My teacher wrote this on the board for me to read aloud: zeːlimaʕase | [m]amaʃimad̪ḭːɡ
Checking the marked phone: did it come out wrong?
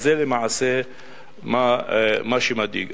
no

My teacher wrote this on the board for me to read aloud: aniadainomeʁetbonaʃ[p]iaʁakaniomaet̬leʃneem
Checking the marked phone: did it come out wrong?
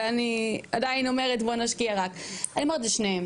yes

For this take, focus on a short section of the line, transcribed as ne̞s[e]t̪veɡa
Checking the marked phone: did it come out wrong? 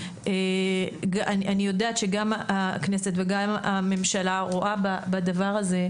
no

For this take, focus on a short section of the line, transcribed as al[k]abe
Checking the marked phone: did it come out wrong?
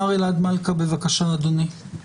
no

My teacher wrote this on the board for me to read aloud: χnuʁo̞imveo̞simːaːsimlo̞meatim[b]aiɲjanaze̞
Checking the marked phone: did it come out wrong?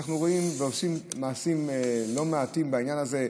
no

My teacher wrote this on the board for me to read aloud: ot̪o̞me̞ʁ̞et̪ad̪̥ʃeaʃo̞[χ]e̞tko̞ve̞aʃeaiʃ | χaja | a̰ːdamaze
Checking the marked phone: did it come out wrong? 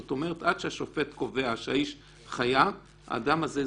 yes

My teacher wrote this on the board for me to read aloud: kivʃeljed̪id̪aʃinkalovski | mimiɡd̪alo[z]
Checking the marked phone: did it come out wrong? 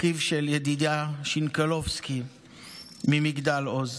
no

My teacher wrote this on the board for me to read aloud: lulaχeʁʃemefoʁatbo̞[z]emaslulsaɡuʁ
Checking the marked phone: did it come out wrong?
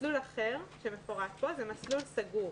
no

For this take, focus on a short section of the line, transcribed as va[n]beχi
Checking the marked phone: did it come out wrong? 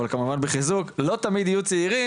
no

